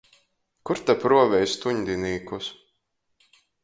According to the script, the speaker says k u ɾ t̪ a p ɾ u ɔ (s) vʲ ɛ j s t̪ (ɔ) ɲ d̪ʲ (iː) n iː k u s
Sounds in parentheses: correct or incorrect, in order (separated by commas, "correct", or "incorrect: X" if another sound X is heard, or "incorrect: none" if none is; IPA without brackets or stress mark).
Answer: incorrect: none, incorrect: u, incorrect: i